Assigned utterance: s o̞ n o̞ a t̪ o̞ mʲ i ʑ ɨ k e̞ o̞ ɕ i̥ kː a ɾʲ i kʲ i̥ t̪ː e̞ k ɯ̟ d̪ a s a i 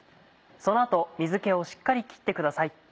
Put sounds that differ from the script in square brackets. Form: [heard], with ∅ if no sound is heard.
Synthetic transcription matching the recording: s o̞ n o̞ a t̪ o̞ mʲ i [z] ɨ k e̞ o̞ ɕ i̥ kː a ɾʲ i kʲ i̥ t̪ː e̞ k ɯ̟ d̪ a s a i